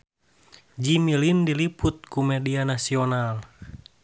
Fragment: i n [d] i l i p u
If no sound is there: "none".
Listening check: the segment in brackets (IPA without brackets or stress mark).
d